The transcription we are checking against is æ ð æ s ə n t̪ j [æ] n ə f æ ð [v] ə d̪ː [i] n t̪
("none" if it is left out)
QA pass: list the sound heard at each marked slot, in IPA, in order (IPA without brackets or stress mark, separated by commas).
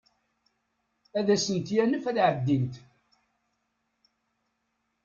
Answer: æ, ʕ, i